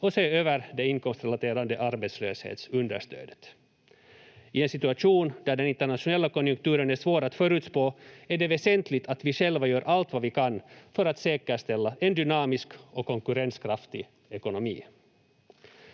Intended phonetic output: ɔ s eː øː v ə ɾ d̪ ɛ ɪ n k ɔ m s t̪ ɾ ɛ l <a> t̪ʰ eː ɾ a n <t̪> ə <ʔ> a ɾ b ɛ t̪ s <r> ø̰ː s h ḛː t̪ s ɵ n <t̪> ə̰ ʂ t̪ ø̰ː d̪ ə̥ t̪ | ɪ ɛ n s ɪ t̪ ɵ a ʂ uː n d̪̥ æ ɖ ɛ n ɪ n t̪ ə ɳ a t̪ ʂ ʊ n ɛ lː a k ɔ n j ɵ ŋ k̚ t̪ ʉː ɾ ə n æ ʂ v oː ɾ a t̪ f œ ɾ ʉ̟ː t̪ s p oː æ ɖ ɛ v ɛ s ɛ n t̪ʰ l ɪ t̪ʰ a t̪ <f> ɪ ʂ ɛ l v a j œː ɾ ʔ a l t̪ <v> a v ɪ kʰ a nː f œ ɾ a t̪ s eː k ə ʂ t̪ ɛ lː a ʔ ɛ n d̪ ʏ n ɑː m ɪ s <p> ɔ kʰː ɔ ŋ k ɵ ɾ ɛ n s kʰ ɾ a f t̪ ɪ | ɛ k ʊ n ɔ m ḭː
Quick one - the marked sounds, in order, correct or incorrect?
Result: correct, incorrect: d̪, correct, incorrect: l, incorrect: d̪, incorrect: v, correct, incorrect: k

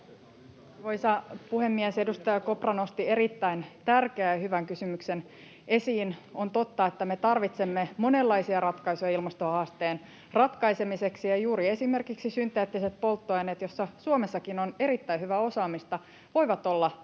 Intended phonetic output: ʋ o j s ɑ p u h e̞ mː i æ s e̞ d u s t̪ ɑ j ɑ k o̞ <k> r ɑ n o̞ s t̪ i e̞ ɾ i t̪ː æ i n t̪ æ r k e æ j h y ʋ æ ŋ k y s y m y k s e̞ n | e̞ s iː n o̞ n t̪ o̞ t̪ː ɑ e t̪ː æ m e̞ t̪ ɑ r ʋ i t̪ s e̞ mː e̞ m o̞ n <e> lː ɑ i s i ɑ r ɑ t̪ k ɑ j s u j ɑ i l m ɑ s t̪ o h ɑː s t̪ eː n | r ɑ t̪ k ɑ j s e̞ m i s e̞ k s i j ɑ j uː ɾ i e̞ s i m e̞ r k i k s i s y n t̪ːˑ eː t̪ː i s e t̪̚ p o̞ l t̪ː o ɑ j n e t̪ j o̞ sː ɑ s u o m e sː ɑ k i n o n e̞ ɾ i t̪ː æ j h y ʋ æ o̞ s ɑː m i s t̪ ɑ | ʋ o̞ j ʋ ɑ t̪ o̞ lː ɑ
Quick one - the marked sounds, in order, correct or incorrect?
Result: incorrect: p, correct

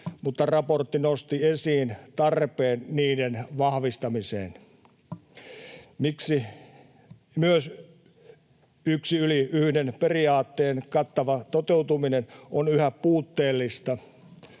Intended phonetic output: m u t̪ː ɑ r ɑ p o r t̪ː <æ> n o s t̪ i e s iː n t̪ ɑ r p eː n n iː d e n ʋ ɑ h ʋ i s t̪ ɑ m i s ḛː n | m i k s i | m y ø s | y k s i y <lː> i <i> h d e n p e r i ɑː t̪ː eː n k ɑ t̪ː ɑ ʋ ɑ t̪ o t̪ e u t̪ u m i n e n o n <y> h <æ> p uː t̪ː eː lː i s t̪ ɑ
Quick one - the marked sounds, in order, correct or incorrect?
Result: incorrect: i, incorrect: l, incorrect: y, correct, correct

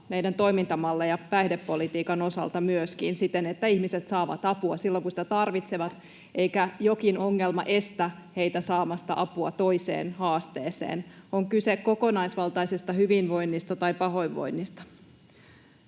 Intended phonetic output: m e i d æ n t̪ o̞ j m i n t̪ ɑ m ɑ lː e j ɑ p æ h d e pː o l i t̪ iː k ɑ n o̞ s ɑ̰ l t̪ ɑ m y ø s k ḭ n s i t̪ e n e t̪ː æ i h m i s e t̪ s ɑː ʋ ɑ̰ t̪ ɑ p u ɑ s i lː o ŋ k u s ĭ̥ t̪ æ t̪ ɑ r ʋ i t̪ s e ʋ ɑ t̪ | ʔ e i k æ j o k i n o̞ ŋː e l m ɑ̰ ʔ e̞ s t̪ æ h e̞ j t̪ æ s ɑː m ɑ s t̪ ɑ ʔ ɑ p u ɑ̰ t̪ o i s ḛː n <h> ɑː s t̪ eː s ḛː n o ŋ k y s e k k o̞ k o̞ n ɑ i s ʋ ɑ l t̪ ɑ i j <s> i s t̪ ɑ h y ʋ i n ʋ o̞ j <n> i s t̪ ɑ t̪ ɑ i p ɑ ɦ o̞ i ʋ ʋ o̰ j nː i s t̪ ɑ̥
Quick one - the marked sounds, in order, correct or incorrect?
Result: correct, correct, incorrect: nː

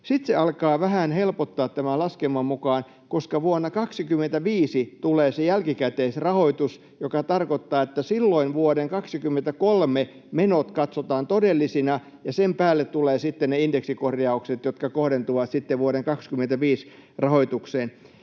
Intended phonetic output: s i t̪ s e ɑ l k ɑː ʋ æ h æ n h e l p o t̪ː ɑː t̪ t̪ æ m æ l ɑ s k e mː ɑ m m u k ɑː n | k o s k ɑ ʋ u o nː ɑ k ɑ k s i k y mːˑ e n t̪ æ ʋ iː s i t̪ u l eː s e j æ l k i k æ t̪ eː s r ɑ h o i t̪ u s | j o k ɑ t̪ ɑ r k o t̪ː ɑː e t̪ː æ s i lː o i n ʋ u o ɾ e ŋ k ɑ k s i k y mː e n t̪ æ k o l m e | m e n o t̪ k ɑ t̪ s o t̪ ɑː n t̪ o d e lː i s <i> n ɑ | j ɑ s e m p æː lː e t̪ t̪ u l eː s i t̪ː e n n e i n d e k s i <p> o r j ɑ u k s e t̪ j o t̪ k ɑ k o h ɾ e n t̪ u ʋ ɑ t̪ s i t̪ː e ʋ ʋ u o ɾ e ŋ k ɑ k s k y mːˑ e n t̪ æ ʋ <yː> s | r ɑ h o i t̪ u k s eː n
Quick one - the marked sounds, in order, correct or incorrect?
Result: correct, incorrect: k, incorrect: iː

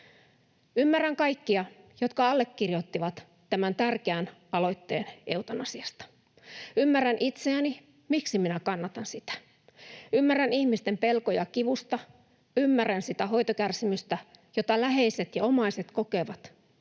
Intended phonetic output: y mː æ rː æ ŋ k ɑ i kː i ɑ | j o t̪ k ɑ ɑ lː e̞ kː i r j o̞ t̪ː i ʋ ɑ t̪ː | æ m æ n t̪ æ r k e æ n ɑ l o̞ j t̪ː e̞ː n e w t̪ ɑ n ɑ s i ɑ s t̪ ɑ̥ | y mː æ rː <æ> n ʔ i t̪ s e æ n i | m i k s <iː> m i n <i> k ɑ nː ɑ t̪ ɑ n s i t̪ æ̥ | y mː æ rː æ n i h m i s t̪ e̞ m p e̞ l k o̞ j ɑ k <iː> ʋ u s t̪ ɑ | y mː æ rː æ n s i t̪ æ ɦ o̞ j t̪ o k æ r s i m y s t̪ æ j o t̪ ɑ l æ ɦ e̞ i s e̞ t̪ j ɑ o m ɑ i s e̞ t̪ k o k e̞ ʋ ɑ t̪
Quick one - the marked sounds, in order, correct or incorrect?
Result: correct, incorrect: i, incorrect: æ, incorrect: i

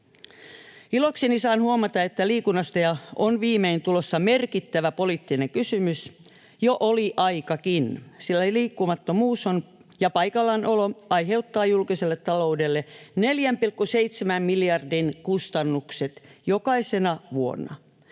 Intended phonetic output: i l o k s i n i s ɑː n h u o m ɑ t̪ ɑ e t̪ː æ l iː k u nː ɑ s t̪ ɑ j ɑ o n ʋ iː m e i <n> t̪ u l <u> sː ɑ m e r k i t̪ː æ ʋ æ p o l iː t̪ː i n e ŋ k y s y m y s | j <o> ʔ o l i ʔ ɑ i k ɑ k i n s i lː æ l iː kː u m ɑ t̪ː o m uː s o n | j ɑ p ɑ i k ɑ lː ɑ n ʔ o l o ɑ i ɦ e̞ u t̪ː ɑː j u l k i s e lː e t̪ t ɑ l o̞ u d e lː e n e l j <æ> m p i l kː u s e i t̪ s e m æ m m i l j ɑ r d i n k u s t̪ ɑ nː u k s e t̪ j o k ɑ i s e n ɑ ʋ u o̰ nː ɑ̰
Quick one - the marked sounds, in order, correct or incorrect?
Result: correct, incorrect: o, correct, correct

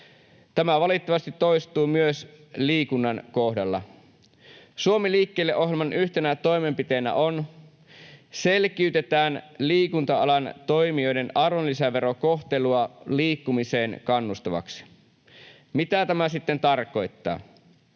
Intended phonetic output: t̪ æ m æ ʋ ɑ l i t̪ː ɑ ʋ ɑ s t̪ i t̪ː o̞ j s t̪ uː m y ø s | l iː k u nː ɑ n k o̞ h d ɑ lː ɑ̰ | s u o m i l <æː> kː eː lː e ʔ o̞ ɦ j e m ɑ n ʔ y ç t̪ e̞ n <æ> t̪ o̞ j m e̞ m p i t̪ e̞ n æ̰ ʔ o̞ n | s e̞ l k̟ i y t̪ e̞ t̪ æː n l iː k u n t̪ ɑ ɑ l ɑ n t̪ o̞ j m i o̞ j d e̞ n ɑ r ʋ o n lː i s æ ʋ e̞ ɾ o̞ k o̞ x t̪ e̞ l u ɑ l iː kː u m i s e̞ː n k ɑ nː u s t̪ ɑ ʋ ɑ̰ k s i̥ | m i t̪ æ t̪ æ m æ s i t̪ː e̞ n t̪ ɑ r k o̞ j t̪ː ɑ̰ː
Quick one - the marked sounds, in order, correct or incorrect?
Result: incorrect: iː, correct

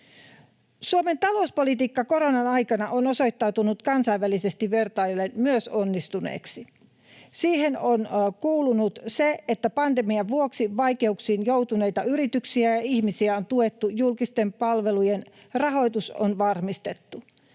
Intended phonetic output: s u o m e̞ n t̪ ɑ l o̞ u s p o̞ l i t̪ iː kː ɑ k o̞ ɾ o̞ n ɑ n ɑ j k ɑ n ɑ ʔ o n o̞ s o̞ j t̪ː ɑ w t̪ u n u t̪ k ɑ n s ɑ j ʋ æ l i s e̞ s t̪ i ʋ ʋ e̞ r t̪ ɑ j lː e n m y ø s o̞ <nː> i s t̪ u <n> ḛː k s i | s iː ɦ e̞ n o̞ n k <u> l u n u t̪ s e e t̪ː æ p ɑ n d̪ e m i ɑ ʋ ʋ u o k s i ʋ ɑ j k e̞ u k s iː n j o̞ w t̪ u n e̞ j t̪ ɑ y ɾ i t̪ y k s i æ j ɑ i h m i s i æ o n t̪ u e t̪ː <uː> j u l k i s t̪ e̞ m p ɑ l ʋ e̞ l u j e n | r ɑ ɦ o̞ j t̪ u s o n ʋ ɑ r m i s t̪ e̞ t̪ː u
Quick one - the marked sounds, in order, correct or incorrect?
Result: correct, correct, incorrect: uː, incorrect: u

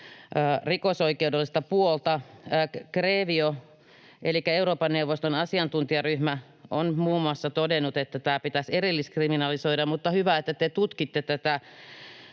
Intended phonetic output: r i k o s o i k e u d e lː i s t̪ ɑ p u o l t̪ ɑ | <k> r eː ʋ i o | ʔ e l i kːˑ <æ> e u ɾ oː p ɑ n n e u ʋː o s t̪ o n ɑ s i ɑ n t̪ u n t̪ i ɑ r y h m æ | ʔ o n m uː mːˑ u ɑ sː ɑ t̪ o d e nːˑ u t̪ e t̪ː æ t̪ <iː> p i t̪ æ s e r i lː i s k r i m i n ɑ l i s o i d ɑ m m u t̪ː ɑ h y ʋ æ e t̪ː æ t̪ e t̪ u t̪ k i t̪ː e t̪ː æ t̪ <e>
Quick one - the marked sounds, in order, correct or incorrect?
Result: correct, correct, incorrect: æː, incorrect: æ

